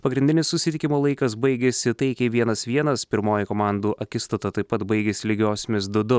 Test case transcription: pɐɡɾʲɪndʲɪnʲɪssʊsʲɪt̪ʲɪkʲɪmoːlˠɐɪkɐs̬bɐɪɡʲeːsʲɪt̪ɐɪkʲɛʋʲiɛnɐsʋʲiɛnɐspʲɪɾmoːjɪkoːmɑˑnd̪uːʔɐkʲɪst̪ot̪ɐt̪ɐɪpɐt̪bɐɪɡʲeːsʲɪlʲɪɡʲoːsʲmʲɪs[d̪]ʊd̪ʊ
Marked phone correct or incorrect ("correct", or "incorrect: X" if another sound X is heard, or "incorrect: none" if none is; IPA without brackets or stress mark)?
correct